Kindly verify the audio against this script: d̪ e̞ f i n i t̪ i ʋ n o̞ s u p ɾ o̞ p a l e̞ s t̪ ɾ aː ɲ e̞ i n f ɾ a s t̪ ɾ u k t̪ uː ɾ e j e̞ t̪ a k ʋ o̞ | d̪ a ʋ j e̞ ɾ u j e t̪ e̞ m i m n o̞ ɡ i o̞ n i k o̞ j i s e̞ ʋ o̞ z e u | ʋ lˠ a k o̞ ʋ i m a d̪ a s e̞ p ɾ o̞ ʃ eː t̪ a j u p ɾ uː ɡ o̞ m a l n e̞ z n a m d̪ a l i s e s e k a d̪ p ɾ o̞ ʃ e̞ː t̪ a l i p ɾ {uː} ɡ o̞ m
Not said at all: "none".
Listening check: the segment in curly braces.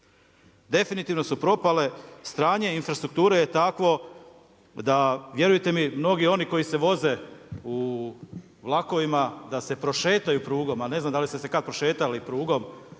uː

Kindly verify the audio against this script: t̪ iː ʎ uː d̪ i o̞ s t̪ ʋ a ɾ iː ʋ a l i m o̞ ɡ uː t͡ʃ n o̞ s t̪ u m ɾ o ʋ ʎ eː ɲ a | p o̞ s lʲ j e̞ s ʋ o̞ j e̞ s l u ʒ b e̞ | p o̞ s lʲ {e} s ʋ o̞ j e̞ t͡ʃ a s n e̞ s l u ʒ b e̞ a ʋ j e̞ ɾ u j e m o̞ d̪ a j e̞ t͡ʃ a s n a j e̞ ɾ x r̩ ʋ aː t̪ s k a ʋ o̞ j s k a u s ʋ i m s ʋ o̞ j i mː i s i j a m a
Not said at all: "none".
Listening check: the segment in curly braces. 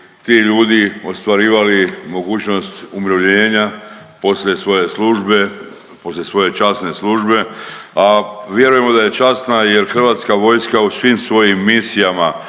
e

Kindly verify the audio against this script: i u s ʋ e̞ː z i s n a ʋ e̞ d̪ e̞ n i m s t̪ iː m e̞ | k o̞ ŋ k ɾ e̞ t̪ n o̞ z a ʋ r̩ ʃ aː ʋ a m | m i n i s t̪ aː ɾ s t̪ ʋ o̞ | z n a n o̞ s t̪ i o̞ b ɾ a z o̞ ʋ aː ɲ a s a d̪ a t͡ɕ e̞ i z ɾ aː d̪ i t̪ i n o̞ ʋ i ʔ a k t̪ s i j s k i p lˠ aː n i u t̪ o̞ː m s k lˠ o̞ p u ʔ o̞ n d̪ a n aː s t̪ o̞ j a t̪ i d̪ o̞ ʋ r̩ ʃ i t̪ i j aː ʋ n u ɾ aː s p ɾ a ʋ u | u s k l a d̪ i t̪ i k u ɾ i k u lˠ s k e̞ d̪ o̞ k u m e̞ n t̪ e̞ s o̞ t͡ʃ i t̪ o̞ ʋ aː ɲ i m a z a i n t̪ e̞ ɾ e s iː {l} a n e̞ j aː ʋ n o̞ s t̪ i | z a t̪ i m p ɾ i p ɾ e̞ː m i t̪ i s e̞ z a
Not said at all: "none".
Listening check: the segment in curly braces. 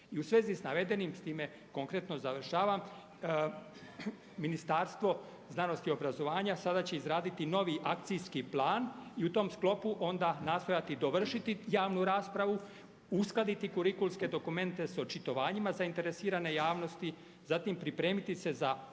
ɾ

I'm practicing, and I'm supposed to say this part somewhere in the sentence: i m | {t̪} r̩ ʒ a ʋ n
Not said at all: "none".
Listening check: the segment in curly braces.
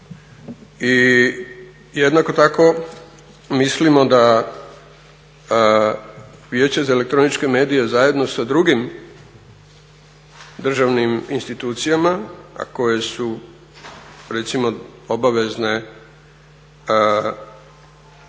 d̪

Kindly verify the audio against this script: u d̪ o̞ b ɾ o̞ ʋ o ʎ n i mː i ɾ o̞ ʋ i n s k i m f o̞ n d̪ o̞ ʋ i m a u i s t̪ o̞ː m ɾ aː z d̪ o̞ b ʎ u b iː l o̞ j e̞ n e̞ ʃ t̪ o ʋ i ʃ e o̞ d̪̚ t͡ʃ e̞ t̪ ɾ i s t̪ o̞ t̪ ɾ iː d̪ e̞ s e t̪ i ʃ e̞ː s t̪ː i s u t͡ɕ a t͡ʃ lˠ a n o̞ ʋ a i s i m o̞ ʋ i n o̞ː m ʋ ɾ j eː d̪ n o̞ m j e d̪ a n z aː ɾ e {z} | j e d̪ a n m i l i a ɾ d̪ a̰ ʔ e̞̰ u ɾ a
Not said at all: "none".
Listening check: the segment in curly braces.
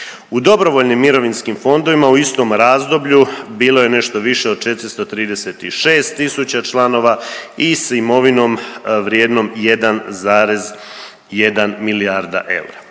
z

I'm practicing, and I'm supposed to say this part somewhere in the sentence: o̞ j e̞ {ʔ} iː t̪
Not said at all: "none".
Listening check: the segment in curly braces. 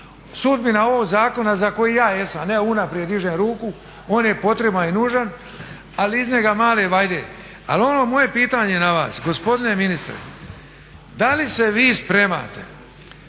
p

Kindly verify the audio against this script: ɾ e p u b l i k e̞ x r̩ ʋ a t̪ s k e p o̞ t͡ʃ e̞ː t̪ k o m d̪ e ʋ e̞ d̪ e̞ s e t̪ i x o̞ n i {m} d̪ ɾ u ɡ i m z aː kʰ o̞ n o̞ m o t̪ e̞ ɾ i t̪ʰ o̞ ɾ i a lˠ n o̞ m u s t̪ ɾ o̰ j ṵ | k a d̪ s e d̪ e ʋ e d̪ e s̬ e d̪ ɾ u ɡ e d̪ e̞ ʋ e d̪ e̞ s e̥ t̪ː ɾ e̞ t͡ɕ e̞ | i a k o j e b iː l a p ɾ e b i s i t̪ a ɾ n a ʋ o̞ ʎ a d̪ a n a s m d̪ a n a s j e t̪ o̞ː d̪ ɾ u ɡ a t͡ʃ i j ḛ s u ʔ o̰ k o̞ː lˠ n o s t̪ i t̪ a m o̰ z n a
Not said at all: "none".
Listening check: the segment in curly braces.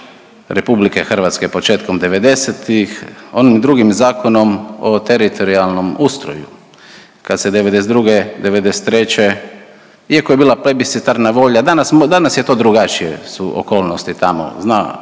m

